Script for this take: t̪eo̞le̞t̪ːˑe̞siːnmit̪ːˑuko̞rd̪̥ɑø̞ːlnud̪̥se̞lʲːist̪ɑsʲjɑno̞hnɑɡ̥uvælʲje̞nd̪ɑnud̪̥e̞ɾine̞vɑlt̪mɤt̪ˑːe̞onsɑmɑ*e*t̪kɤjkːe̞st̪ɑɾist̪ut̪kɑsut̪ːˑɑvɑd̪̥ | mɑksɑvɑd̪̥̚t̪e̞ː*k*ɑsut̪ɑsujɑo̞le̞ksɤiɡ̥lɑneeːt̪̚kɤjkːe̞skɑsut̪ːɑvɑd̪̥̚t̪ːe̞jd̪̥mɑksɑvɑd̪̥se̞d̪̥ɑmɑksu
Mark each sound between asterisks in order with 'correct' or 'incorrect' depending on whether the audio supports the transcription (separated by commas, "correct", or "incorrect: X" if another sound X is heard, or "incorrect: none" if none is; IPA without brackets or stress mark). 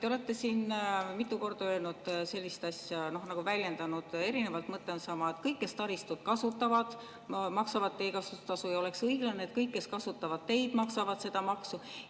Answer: correct, correct